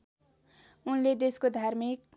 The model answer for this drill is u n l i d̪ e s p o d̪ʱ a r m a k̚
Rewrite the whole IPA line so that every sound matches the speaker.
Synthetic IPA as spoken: u n l e d̪ e s k o d̪ʱ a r m i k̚